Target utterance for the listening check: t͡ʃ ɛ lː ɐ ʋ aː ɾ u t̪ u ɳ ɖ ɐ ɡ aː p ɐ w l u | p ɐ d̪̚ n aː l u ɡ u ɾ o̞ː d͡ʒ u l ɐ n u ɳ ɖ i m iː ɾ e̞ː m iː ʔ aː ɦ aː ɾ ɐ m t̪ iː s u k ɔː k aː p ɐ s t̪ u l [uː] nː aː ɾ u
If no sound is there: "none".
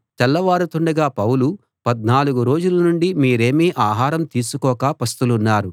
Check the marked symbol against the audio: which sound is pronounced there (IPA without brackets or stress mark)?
u